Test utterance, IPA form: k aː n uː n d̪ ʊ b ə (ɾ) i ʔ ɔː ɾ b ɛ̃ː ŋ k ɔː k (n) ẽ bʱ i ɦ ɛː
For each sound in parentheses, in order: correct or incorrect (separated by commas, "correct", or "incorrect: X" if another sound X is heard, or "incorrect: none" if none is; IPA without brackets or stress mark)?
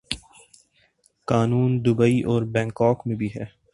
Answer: incorrect: none, incorrect: m